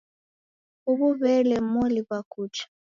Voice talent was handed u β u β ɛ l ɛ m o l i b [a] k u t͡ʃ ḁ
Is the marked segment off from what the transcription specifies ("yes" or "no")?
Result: no